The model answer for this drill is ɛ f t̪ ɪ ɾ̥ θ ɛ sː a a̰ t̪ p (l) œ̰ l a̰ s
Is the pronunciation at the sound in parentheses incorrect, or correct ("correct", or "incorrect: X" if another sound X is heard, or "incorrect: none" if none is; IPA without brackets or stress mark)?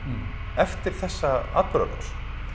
incorrect: ɾ